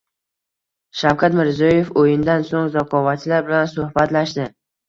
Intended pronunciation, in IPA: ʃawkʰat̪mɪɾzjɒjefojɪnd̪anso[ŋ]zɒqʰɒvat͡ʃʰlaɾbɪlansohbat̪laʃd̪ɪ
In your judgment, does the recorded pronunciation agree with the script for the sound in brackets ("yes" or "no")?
yes